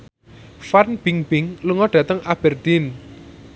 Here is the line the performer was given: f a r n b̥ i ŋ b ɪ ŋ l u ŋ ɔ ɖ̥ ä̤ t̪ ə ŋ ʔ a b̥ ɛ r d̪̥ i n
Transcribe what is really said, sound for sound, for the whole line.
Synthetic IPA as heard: f a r n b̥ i ŋ b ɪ ŋ l u ŋ ɔ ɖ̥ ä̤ t̪ ə ŋ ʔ a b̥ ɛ r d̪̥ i n